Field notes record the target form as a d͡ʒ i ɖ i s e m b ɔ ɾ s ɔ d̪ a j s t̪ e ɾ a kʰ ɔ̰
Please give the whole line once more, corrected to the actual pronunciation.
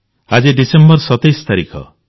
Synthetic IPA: a d͡ʒ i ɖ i s e m b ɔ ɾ s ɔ t̪ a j s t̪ a ɾ i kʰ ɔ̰